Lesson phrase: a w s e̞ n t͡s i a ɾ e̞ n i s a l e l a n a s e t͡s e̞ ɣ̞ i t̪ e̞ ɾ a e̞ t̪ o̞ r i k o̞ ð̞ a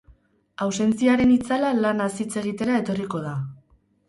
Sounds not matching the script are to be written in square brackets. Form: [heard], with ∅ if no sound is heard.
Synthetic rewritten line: a w s e̞ n t͡s i a ɾ e̞ n i [t͡s] a l [a] l a n a s [i] t͡s e̞ ɣ̞ i t̪ e̞ ɾ a e̞ t̪ o̞ r i k o̞ ð̞ a